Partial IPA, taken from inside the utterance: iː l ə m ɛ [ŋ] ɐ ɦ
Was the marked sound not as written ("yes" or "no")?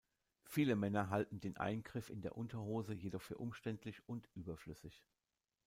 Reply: yes